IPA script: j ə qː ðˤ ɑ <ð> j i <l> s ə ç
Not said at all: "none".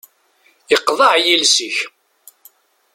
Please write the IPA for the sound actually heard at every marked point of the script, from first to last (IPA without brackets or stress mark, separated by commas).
ʕ, l